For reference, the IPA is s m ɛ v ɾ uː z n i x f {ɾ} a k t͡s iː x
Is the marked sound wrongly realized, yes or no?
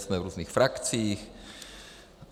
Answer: no